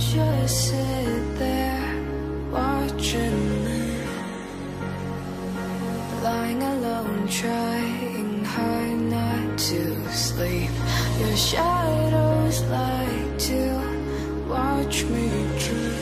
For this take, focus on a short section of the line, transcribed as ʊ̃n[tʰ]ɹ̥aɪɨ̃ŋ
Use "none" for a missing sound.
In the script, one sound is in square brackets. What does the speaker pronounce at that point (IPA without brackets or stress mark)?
tʰ